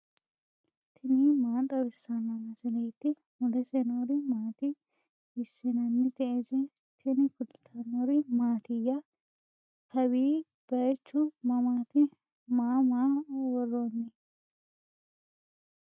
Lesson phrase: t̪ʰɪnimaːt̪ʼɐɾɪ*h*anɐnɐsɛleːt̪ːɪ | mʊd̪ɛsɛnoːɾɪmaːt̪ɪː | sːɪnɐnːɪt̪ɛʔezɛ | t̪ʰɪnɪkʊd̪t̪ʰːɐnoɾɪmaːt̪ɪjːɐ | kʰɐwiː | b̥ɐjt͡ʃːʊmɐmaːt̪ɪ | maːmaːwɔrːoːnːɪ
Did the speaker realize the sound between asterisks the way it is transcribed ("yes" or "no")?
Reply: no